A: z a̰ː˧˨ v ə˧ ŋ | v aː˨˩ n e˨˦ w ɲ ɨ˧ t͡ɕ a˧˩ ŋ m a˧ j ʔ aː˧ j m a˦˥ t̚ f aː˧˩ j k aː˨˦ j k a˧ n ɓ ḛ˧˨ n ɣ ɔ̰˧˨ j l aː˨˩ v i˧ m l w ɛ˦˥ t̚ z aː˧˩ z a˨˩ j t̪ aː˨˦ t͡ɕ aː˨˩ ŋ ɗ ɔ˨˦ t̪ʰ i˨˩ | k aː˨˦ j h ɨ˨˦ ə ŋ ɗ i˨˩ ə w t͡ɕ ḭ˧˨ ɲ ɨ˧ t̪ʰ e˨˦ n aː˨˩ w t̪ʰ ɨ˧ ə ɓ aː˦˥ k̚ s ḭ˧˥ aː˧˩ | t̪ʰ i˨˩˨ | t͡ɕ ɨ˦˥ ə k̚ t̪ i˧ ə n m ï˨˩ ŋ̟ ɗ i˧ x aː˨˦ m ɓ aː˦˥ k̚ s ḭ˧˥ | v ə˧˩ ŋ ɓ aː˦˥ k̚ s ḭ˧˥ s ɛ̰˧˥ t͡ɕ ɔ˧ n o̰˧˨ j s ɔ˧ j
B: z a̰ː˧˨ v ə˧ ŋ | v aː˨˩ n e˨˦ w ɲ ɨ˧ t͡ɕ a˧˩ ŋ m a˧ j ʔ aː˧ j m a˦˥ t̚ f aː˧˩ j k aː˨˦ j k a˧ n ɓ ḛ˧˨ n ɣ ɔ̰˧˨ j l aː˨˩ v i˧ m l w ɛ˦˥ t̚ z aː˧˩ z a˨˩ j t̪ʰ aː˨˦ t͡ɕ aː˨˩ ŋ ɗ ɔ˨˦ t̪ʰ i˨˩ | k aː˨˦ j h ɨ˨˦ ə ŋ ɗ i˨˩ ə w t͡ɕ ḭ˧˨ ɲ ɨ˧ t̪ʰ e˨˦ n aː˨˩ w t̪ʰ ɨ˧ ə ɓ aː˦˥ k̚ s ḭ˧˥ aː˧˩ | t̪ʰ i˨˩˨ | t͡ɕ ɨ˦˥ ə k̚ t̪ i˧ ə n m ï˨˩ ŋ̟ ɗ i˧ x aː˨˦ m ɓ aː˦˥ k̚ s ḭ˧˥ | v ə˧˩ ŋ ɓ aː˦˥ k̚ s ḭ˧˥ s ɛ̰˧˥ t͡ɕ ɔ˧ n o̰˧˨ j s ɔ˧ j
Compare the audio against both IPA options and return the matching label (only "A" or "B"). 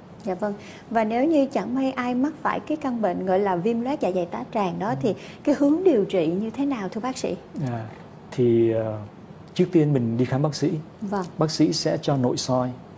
A